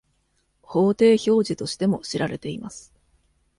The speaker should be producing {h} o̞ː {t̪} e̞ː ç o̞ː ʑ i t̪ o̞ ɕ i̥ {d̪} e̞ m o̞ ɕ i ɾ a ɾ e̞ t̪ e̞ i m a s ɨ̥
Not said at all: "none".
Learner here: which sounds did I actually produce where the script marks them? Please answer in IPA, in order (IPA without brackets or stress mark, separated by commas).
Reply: h, t̪, t̪